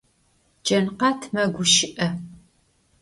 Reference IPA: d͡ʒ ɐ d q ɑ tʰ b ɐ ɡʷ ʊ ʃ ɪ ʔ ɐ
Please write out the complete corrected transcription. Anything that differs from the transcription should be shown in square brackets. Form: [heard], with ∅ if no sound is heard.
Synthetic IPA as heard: d͡ʒ ɐ [n] q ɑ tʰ [m] ɐ ɡʷ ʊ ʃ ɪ ʔ ɐ